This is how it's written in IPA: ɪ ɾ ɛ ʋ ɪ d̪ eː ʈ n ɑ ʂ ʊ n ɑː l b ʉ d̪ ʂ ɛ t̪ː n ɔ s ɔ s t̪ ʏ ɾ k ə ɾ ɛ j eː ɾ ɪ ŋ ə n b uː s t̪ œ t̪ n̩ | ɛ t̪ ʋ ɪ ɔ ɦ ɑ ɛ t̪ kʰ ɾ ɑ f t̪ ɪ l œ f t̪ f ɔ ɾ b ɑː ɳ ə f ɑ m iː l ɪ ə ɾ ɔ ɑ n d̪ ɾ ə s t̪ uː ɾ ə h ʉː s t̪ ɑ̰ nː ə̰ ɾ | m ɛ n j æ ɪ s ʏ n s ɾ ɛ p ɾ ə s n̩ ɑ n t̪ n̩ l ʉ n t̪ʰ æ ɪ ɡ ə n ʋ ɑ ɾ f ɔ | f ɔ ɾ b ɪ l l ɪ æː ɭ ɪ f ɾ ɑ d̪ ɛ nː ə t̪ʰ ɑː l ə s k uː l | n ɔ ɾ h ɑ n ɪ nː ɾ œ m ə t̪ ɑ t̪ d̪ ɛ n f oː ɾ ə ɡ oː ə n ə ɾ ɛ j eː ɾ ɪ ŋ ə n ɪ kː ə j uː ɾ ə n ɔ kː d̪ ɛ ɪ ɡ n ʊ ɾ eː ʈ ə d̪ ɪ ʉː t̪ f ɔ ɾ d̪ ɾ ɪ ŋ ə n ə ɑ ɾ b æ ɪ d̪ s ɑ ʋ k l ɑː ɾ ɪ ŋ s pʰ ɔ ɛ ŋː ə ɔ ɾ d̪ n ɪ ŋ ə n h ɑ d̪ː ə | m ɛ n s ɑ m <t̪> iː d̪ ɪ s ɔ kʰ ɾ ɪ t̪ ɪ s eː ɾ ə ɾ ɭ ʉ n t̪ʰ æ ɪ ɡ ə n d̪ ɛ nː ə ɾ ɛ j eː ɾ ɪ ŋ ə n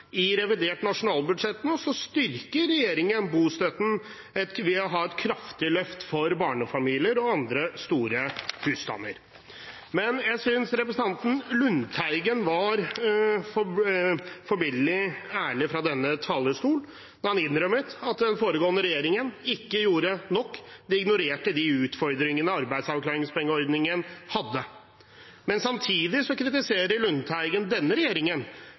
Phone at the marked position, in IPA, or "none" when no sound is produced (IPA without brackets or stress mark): t̪ʰ